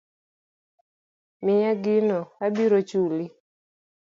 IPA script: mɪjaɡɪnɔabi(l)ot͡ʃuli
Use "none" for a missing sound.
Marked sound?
ɾ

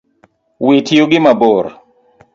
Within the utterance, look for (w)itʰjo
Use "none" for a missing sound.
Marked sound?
w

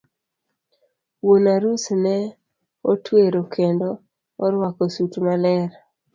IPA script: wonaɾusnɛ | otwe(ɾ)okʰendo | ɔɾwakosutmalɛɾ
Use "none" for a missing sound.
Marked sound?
ɾ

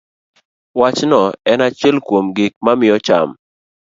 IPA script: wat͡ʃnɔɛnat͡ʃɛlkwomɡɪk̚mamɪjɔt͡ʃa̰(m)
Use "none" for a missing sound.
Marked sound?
m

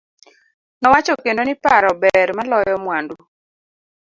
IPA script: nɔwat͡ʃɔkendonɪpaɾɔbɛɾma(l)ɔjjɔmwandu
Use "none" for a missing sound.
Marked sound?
l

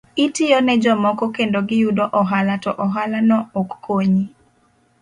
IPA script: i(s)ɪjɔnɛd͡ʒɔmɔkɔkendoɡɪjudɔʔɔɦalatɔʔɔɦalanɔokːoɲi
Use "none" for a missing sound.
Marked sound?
t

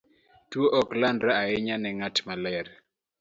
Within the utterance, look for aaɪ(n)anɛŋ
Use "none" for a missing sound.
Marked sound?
ɲ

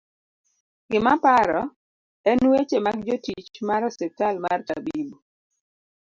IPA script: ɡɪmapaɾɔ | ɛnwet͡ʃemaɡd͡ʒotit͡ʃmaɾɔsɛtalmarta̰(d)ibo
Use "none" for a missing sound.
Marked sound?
b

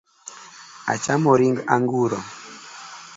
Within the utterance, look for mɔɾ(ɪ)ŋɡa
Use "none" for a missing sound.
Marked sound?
i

